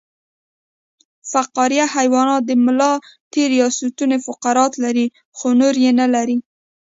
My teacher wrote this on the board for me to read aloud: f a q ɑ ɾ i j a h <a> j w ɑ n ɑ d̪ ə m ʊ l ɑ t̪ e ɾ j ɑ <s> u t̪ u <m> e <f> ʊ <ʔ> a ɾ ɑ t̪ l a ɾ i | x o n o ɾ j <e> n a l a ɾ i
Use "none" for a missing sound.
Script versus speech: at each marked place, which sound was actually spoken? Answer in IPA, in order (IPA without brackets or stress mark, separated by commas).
a, s, n, f, q, e